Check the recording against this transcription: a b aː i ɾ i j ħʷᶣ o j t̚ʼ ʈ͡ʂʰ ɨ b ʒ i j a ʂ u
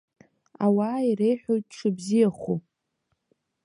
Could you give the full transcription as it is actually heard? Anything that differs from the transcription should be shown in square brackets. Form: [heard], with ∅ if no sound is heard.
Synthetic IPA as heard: a [w] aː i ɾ [e] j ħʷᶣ o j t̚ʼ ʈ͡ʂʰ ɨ b [z] i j a [χ] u